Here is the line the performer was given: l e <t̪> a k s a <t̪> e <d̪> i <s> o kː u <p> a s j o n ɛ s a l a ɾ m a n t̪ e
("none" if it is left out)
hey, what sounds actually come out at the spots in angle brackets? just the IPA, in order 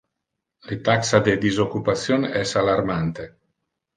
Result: t̪, d̪, d̪, z, p

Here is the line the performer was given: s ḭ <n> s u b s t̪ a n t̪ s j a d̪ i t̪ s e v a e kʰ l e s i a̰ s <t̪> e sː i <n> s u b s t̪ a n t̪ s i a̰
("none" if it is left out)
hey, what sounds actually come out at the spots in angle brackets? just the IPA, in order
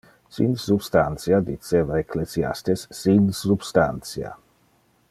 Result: n, t̪, n

